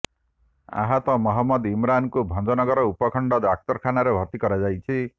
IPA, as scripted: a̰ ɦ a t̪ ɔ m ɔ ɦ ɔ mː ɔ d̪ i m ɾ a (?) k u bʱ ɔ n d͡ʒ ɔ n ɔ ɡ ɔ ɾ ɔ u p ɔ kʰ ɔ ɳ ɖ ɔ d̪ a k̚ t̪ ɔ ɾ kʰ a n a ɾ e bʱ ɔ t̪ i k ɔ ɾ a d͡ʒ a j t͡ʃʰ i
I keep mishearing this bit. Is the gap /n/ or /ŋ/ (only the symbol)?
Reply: n